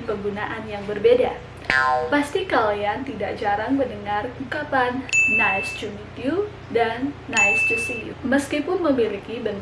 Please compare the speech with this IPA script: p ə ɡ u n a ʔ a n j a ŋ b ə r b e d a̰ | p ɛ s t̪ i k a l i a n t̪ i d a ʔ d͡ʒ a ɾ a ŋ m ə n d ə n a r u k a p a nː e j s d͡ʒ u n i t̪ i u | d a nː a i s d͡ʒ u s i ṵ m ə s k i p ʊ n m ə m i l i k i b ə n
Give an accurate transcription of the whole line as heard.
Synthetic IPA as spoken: p ə ɡ u n a ʔ a n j a ŋ b ə r b e d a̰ | p a s t̪ i k a l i a n t̪ i d a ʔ d͡ʒ a ɾ a ŋ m ə n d ə ŋ a r u k a p a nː a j s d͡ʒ u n i t̪ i u | d a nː a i s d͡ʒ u s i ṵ m ə s k i p ʊ n m ə m i l i k i b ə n